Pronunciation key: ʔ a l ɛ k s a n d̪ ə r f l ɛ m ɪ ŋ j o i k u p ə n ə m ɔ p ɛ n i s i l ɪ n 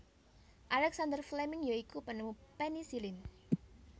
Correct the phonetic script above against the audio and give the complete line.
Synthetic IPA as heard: ʔ a l ɛ k s a n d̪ ə r f l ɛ m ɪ ŋ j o i k u p ə n ə m u p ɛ n i s i l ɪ n